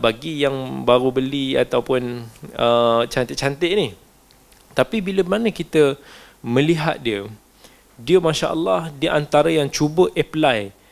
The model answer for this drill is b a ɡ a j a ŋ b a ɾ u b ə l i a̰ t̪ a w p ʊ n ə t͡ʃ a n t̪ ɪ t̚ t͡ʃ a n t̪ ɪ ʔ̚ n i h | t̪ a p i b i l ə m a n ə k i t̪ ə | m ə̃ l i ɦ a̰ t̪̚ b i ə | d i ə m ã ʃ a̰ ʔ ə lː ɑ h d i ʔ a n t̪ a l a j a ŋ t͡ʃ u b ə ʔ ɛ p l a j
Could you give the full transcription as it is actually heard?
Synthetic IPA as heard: b a ɡ i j a ŋ b a ɾ u b ə l i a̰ t̪ a w p ʊ n ə t͡ʃ a n t̪ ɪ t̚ t͡ʃ a n t̪ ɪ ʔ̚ n i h | t̪ a p i b i l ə m a n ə k i t̪ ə | m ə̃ l i ɦ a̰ t̪̚ d i ə | d i ə m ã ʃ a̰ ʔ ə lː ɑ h d i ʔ a n t̪ a ɾ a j a ŋ t͡ʃ u b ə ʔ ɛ p l a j